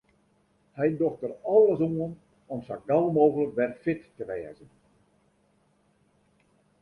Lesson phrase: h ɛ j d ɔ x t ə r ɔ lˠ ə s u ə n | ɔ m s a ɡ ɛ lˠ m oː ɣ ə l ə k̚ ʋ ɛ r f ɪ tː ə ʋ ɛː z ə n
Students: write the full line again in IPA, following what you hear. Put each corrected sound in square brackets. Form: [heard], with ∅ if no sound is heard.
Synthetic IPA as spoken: h ɛ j d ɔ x t ə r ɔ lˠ ə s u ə n | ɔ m s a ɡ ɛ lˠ m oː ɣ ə l ə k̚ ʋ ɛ r f ɪ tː ə ʋ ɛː z ə n